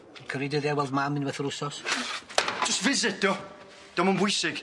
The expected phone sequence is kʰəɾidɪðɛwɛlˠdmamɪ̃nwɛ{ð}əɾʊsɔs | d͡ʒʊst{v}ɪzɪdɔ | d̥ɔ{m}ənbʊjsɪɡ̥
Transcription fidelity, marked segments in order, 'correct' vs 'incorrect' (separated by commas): incorrect, correct, correct